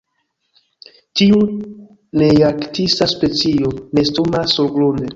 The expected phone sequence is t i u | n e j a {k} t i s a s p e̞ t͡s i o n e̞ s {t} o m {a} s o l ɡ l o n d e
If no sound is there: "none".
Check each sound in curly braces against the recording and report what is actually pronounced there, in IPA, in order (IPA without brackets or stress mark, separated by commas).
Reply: k, t, a